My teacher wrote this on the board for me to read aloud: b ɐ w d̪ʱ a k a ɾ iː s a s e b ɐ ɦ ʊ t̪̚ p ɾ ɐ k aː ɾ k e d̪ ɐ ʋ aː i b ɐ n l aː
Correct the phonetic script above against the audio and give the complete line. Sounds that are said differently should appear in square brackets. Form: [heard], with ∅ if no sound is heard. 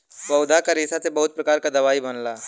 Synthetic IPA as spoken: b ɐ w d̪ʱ a k a ɾ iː s a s e b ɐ ɦ ʊ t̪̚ p ɾ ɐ k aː ɾ k [a] d̪ ɐ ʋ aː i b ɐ n l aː